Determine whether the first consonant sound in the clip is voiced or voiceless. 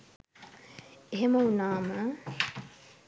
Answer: voiced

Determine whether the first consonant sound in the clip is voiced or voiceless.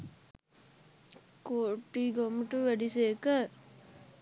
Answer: voiceless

